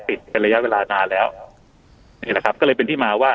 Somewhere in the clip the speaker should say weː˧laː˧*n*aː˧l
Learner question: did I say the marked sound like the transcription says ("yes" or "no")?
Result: yes